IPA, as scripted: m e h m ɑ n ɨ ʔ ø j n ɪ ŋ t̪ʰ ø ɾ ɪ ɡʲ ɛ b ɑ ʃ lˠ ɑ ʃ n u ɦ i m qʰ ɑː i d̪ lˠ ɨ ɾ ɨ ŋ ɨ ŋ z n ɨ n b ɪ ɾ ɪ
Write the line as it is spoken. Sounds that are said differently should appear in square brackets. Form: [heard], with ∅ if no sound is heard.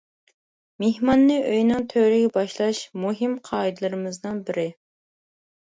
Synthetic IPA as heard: m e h m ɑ [nː] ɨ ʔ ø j n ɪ ŋ t̪ʰ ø ɾ ɪ ɡʲ ɛ b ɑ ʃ lˠ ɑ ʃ [m] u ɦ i m qʰ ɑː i d̪ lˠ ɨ ɾ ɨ [m] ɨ [∅] z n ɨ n b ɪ ɾ ɪ